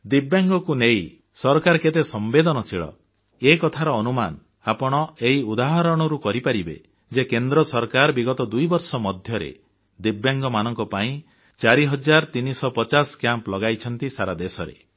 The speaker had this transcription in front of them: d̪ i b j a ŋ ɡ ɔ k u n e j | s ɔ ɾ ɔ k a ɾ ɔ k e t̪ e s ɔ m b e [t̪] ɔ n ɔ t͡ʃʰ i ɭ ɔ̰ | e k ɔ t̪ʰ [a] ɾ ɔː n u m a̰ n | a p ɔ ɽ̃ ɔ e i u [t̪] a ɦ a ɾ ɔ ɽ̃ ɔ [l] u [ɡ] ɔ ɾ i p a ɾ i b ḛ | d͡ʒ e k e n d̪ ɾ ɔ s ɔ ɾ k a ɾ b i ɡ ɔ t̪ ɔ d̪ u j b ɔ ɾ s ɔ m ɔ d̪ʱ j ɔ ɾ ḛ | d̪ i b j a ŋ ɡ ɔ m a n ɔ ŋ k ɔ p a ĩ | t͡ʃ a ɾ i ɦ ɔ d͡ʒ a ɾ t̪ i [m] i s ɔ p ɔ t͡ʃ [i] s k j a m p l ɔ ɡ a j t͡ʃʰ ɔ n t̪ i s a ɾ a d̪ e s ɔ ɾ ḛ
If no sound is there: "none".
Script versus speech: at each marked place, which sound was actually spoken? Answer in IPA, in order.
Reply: d̪, a, d̪, ɾ, k, n, a

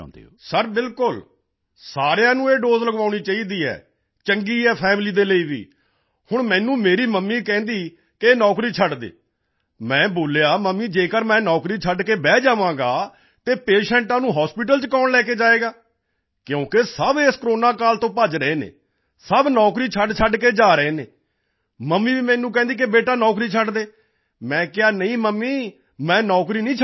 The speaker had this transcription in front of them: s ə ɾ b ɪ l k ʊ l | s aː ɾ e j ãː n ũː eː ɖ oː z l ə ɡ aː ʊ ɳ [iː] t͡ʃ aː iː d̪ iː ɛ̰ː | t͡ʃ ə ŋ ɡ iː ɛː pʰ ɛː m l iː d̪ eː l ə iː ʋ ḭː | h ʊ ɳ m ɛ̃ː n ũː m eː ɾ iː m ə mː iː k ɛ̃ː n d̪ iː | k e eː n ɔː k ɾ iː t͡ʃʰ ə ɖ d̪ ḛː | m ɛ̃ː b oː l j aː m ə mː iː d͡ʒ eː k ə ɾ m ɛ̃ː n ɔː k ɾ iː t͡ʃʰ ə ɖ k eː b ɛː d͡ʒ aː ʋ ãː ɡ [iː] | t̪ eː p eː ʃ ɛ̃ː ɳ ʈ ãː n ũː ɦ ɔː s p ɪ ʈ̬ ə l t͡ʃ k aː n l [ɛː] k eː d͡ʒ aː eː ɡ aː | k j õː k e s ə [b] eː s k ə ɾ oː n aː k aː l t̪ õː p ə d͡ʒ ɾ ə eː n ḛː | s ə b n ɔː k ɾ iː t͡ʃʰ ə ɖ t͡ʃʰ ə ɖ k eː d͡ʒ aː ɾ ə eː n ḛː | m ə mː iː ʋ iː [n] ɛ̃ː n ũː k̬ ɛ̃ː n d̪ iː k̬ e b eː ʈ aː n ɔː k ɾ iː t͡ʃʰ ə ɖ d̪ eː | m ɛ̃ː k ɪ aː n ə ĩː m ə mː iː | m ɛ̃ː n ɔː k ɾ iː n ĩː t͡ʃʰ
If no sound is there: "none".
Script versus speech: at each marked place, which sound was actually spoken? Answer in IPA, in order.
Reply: iː, aː, ɛː, b, m

